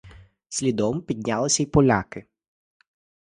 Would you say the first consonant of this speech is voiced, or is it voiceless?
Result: voiceless